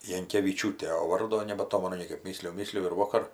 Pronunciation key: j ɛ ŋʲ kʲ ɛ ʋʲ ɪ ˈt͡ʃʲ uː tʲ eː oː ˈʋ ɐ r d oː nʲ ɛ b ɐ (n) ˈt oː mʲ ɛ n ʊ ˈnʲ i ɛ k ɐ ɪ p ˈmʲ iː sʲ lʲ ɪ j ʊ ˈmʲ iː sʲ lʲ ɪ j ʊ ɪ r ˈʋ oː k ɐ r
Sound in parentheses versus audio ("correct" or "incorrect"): incorrect